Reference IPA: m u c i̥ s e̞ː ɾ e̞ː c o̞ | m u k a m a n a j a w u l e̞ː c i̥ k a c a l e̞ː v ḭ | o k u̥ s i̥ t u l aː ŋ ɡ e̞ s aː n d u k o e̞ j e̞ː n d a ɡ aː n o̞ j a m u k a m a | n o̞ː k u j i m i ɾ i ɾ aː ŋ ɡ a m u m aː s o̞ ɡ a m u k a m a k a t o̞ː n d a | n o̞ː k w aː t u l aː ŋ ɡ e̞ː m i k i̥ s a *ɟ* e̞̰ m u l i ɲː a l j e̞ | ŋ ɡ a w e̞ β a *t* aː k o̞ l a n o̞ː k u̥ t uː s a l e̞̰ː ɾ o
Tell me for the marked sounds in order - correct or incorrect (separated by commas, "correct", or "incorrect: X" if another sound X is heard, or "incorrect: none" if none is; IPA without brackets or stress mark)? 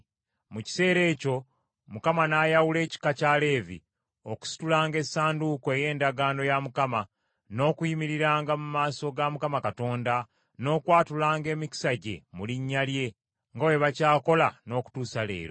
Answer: correct, incorrect: c